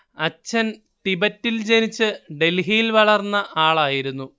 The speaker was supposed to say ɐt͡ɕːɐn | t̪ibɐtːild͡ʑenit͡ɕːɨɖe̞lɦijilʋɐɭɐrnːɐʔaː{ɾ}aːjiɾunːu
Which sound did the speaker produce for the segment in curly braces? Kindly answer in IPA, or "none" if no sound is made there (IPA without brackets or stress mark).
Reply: ɭ